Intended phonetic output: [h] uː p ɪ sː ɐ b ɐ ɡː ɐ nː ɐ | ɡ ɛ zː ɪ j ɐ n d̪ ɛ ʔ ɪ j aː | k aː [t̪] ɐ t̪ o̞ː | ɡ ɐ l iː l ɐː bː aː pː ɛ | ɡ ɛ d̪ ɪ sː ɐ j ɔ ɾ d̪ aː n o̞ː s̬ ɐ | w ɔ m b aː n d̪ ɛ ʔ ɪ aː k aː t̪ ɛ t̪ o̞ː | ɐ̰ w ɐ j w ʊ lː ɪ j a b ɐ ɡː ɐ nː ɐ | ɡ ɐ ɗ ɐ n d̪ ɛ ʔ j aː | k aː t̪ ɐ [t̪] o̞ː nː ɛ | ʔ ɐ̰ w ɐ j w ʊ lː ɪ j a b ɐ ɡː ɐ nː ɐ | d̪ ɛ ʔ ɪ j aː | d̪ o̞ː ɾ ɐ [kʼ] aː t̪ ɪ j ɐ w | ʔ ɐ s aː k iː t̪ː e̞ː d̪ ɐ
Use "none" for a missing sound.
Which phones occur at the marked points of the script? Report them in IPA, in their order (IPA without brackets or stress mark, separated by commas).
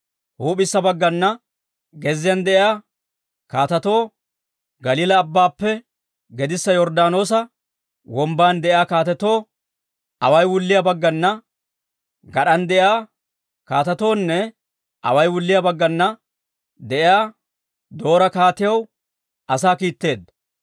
h, t̪, t̪, k